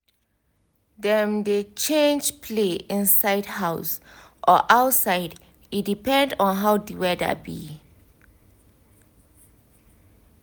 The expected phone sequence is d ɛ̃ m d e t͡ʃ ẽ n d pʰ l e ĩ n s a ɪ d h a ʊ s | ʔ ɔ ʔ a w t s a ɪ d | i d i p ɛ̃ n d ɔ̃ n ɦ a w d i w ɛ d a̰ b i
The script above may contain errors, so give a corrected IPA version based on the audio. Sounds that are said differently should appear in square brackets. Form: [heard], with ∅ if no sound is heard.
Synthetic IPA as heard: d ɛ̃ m d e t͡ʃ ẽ n [d͡ʒ] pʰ l e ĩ n s a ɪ d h a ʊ s | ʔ ɔ ʔ a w t s a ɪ d | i d i p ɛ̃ n d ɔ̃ n ɦ a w d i w ɛ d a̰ b i